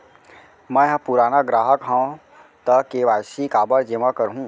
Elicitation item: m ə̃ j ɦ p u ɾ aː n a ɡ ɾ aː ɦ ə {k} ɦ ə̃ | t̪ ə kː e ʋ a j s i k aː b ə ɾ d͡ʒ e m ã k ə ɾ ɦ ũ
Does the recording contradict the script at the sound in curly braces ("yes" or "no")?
no